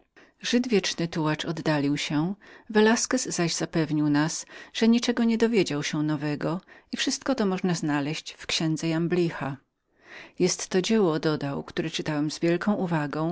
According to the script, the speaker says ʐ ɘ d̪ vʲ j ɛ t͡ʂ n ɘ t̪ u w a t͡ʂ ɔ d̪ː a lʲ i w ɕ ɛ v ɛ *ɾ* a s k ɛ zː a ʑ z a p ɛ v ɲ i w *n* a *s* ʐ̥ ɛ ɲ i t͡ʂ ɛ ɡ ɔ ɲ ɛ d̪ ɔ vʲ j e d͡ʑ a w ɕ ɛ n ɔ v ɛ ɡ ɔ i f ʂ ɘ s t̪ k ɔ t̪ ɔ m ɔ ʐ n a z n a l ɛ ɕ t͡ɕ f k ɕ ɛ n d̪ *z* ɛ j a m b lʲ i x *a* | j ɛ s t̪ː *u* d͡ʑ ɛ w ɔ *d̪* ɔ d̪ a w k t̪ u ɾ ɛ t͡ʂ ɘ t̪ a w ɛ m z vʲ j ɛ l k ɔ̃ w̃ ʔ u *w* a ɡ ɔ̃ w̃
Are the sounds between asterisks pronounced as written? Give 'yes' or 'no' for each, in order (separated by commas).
no, yes, yes, yes, yes, no, yes, no